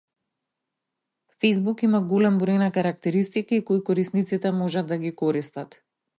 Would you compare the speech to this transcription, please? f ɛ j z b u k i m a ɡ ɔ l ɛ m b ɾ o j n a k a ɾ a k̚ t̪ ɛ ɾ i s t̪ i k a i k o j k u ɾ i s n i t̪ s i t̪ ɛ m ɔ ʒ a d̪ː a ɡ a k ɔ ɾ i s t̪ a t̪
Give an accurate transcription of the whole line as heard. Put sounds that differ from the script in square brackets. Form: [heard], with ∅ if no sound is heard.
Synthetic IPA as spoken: f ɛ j z b u k i m a ɡ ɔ l ɛ m b ɾ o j n a k a ɾ a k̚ t̪ ɛ ɾ i s t̪ i k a i k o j k [ɔ] ɾ i s n i t̪ s i t̪ ɛ m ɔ ʒ a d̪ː a ɡ [i] k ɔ ɾ i s t̪ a t̪